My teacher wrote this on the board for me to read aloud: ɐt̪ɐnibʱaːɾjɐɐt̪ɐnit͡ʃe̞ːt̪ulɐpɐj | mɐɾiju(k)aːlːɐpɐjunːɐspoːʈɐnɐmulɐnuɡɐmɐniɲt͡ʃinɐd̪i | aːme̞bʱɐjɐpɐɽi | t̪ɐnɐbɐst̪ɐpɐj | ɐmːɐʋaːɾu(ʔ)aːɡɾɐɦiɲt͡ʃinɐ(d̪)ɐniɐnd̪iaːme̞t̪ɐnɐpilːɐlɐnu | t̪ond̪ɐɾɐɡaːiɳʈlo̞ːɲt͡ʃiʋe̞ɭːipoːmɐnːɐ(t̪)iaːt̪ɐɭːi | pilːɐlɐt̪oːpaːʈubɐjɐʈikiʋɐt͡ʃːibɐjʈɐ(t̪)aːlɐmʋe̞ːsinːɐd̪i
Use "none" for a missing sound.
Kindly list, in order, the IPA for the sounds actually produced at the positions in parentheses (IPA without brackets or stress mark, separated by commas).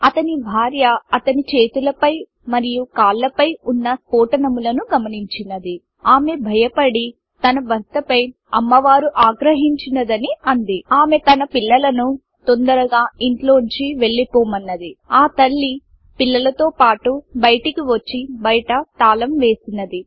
k, ʔ, d̪, d̪, t̪